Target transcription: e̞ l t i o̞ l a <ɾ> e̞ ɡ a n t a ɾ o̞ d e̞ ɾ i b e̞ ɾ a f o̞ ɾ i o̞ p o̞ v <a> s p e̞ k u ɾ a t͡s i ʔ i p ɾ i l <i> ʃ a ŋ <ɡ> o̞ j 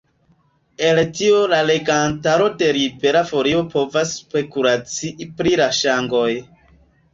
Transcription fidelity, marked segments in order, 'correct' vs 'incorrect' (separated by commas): incorrect, correct, incorrect, correct